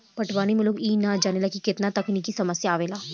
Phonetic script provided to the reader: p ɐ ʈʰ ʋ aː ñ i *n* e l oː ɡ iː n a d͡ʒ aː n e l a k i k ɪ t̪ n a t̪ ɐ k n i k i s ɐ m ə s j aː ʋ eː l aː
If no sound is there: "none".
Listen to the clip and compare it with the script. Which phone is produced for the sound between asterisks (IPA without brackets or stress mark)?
m